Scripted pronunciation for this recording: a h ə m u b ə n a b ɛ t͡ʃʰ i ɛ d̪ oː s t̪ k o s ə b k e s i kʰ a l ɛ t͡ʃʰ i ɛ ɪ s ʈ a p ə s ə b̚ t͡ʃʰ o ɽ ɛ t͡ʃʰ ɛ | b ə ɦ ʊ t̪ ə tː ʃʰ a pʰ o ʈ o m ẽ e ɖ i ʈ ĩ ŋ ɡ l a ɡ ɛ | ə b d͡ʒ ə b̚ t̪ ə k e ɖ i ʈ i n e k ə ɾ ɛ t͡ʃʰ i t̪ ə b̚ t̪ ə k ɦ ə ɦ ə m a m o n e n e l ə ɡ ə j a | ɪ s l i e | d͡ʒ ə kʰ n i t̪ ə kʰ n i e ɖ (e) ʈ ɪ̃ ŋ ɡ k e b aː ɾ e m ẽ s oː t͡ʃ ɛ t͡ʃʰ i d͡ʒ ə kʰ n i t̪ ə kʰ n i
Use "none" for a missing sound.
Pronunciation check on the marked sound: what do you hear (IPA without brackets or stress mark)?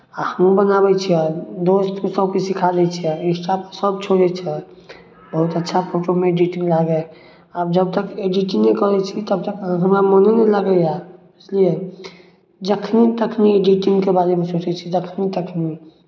i